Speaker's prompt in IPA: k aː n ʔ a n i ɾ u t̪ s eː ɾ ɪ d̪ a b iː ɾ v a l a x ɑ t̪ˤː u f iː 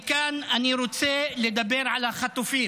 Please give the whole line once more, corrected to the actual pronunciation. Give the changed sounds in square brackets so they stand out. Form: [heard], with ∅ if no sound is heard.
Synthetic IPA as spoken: k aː n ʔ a n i ɾ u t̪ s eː [l] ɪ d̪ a b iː ɾ [ʕ] a l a x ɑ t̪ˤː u f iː